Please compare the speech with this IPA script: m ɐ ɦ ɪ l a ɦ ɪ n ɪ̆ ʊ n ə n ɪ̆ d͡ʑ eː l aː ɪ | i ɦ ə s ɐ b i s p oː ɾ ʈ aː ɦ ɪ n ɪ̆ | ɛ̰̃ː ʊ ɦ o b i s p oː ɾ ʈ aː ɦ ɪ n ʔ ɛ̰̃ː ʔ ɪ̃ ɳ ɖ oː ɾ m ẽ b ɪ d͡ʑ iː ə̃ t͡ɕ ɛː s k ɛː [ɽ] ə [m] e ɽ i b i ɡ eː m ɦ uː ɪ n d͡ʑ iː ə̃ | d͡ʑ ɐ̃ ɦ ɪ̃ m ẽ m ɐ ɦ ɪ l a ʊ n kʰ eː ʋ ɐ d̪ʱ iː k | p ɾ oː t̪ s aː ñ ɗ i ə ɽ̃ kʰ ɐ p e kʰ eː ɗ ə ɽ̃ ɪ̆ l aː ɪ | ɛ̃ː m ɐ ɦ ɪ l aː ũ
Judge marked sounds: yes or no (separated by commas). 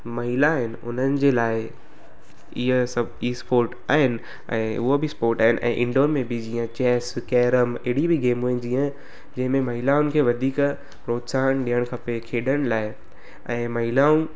no, yes